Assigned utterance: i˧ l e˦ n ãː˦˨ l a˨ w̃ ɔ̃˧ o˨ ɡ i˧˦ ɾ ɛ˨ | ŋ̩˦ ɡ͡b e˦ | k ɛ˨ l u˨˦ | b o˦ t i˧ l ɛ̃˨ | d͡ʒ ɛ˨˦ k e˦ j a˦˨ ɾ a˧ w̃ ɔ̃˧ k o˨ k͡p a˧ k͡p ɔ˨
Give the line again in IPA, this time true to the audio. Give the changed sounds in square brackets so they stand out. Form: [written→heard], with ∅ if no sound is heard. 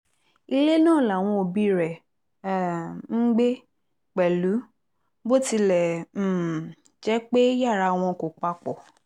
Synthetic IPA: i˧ l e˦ n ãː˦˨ l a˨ w̃ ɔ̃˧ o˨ [ɡ→b] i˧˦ ɾ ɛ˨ | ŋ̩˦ ɡ͡b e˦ | [k→k͡p] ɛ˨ l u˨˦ | b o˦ t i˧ l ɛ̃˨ | d͡ʒ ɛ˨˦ [k→k͡p] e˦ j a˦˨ ɾ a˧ w̃ ɔ̃˧ k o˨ k͡p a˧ k͡p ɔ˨

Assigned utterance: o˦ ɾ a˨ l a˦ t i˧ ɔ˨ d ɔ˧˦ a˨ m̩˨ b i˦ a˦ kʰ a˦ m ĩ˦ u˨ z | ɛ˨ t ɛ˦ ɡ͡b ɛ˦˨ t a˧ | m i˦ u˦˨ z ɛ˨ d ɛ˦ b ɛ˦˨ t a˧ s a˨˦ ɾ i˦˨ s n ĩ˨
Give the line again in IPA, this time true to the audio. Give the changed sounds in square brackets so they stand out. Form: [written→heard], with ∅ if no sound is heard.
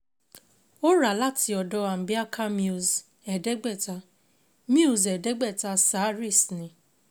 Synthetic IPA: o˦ ɾ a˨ l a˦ t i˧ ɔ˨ d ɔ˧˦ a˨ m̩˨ b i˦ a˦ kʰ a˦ m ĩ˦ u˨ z | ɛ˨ [t→d] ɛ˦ ɡ͡b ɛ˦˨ t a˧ | m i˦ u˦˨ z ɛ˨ d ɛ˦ [b→ɡ͡b] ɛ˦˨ t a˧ s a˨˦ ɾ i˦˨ s n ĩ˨

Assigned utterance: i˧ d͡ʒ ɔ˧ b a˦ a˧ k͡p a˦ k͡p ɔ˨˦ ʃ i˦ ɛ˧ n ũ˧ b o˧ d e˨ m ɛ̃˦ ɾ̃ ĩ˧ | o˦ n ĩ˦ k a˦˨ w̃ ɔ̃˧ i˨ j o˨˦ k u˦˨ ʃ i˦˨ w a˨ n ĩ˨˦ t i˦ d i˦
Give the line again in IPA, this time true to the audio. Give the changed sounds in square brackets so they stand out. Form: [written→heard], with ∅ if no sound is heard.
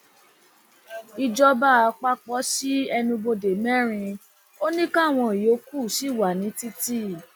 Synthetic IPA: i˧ d͡ʒ ɔ˧ b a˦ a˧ k͡p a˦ k͡p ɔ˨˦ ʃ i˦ ɛ˧ n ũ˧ b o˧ d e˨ m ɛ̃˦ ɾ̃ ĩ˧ | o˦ n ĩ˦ k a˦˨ w̃ ɔ̃˧ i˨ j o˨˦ k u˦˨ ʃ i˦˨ w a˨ n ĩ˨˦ t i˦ [d→t] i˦

